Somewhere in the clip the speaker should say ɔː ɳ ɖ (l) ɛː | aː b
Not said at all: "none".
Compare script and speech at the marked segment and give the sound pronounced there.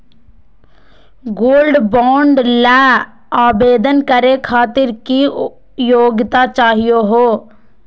l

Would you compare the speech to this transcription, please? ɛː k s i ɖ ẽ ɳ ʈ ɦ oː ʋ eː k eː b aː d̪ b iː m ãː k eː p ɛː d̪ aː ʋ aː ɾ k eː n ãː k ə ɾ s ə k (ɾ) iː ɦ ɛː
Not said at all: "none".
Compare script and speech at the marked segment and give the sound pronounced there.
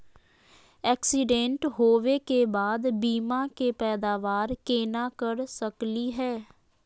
l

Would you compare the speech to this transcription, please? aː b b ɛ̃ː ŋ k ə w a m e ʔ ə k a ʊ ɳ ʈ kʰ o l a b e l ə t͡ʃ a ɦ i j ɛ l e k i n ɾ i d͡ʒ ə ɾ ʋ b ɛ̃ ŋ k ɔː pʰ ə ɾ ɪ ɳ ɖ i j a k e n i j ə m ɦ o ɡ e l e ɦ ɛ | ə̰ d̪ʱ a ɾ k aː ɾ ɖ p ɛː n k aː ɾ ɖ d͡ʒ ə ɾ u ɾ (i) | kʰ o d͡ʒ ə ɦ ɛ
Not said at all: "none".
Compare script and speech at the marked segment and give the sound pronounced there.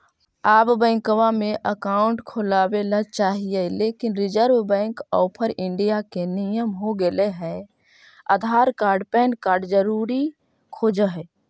i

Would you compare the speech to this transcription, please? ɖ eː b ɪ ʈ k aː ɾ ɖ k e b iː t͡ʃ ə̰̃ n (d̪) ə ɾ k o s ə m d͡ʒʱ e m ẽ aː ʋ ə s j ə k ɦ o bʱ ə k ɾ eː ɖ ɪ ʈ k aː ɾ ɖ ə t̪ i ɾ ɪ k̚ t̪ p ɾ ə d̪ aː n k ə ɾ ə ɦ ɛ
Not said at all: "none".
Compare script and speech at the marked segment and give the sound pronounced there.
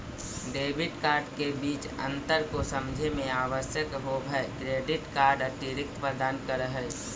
t̪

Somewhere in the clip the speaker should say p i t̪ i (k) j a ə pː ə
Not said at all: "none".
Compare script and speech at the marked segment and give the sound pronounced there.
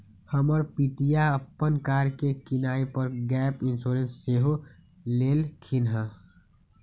none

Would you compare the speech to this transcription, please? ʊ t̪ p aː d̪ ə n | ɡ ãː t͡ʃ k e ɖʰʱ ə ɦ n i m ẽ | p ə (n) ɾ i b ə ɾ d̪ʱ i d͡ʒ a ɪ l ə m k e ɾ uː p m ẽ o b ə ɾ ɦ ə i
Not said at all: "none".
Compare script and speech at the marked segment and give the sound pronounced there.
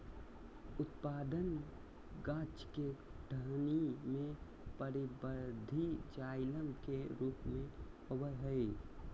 none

